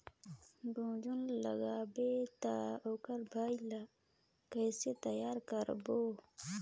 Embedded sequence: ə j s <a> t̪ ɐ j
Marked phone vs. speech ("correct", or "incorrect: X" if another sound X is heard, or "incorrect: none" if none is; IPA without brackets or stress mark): incorrect: e